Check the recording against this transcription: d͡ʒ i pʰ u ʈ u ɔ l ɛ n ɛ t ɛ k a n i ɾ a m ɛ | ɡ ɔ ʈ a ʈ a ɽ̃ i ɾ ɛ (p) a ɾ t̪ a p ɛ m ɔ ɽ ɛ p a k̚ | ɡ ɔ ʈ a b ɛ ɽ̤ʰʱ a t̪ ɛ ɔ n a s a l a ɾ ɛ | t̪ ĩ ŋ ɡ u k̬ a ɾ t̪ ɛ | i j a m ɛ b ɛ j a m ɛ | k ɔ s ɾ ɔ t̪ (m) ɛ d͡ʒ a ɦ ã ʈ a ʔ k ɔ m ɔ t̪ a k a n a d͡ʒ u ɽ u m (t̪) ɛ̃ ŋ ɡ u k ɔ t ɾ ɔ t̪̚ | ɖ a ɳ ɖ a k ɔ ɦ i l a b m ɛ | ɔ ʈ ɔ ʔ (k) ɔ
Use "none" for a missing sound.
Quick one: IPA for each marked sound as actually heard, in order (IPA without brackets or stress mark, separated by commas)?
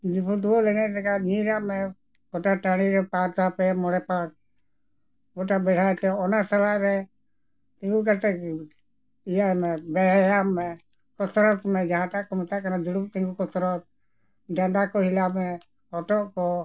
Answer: p, m, t̪, k